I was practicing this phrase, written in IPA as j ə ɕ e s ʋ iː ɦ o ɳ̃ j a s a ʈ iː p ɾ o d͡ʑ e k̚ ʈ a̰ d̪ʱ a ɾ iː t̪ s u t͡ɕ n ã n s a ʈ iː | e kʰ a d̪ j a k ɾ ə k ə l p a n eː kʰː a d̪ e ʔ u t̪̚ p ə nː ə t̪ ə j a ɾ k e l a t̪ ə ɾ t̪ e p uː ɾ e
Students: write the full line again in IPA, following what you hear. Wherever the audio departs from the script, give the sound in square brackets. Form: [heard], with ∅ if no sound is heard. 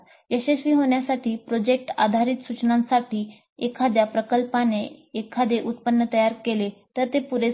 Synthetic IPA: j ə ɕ e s ʋ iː ɦ o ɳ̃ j a s a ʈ iː p ɾ o d͡ʑ e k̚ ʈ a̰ d̪ʱ a ɾ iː t̪ s u t͡ɕ n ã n s a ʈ iː | e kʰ a d̪ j a [p] ɾ ə k ə l p a n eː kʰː a d̪ e ʔ u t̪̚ p ə nː ə t̪ ə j a ɾ k e l [e] t̪ ə ɾ t̪ e p [u] ɾ e